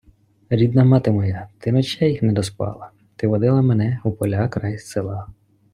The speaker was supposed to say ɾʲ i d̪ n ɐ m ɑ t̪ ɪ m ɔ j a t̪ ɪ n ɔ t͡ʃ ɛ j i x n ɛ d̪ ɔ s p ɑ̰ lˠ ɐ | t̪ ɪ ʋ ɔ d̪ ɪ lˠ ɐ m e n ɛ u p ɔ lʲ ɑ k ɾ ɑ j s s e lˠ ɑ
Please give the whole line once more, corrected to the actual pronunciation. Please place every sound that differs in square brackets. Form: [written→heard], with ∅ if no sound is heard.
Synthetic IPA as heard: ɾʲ i d̪ n ɐ m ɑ t̪ ɪ m ɔ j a t̪ ɪ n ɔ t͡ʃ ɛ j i x n ɛ d̪ ɔ s p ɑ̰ lˠ ɐ | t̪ ɪ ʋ ɔ d̪ ɪ lˠ ɐ m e n ɛ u p ɔ lʲ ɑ k ɾ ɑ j s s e lˠ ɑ